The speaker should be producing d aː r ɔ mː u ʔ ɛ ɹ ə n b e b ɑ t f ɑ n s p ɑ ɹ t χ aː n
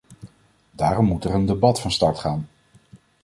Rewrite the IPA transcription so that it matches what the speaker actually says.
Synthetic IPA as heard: d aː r ɔ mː u t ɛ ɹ ə n d e b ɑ t f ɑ n s t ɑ ɹ t χ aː n